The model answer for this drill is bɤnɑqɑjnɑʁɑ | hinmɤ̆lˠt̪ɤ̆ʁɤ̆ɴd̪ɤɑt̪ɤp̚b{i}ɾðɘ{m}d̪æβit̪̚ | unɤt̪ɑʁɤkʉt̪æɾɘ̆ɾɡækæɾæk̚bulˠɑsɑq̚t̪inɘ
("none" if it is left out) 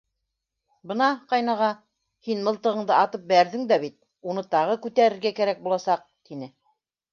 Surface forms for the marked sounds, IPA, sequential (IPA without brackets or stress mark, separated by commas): æ, ŋ